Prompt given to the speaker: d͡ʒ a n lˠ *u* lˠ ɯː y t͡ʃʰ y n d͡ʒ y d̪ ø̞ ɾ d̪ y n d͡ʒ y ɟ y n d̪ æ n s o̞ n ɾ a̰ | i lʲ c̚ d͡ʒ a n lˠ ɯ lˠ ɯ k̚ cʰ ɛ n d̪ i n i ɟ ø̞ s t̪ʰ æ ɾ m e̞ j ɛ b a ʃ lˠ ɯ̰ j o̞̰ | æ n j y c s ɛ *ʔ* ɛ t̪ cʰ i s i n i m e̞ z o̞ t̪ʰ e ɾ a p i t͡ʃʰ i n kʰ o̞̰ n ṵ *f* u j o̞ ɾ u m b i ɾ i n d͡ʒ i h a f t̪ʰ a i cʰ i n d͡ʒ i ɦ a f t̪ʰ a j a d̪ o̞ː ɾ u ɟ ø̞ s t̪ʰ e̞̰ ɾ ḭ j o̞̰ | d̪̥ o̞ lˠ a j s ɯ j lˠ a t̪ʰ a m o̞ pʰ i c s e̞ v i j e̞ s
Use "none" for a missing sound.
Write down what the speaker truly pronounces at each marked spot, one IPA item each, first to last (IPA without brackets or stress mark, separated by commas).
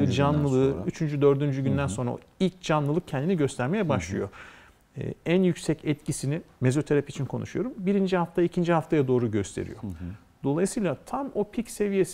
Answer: ɯ, c, ʃ